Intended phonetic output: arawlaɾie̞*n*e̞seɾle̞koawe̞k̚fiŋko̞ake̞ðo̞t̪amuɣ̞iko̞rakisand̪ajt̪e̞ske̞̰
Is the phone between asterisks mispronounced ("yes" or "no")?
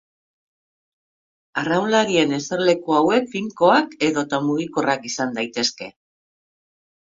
no